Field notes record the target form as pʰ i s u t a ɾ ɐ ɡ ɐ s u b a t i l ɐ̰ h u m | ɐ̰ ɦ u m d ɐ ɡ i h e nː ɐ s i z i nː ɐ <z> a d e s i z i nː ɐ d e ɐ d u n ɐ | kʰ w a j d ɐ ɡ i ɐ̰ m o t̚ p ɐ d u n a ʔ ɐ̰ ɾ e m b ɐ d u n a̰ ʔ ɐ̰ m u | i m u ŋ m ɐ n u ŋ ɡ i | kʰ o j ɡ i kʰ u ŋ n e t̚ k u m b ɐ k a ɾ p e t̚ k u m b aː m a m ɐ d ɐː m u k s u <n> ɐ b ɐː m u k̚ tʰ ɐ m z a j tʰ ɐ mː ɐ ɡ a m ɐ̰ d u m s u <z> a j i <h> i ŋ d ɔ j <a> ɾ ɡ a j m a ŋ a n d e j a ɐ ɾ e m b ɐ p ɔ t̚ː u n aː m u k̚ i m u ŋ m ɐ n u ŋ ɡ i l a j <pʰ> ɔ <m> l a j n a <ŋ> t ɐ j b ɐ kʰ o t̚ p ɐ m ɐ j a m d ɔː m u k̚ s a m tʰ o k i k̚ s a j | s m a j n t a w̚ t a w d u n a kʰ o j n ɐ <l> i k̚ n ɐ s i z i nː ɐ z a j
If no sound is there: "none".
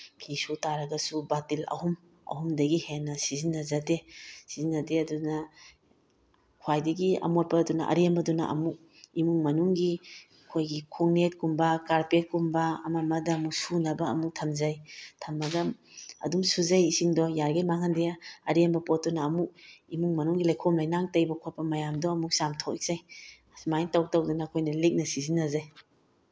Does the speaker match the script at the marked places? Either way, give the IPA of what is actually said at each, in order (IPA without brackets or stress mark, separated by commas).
z, n, z, s, a, kʰ, m, ŋ, l